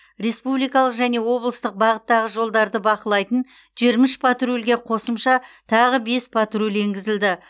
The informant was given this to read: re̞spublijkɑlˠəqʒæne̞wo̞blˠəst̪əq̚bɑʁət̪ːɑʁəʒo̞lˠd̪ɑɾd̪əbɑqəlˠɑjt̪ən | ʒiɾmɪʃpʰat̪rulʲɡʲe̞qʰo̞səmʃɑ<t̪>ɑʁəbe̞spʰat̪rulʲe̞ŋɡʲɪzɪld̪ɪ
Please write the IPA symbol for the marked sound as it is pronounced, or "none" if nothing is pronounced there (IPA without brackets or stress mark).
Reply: t̪ʰ